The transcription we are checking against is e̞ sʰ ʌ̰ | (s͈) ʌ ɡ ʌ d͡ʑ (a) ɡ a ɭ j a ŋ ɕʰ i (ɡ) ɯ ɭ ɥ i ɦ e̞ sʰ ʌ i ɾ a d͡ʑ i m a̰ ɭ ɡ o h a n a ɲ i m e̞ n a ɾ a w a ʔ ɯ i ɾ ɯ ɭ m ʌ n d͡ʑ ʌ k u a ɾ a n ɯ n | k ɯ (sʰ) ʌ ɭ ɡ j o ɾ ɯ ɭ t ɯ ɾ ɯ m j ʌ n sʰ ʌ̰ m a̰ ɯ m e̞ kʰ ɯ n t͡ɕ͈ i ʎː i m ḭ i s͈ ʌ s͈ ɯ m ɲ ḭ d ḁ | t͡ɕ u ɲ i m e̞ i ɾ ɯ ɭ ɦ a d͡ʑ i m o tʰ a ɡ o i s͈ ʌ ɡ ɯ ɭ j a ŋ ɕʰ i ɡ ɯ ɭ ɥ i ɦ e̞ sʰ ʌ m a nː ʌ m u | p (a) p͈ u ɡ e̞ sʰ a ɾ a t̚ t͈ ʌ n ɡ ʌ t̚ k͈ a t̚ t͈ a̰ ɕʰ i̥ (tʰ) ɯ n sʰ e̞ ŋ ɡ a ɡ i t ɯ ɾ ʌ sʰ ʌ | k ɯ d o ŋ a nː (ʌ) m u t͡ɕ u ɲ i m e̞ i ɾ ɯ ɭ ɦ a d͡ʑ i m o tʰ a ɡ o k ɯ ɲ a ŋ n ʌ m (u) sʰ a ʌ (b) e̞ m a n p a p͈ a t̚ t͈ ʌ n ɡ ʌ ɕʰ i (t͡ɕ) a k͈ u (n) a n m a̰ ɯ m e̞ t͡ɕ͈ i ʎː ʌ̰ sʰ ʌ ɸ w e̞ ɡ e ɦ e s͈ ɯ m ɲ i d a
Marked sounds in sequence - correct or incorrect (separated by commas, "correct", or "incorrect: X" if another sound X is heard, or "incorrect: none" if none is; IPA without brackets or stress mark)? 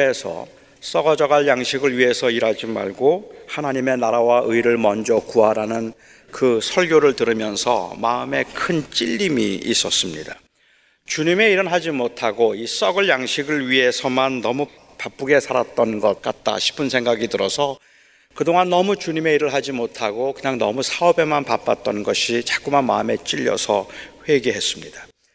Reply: correct, incorrect: ʌ, correct, correct, correct, incorrect: pʰ, correct, correct, correct, correct, incorrect: m